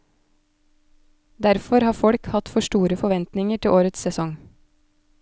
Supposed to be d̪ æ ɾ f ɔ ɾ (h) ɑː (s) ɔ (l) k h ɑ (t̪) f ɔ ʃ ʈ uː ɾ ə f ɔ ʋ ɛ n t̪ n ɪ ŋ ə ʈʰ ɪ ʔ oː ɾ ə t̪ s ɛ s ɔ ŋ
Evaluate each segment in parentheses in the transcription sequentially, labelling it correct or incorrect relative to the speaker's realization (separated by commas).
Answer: correct, incorrect, incorrect, correct